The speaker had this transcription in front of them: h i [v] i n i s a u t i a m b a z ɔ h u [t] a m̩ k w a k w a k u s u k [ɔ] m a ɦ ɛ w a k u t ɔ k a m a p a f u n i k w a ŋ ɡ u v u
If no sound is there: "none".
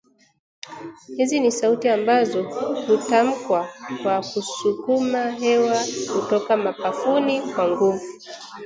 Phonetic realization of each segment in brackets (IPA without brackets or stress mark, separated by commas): z, t, u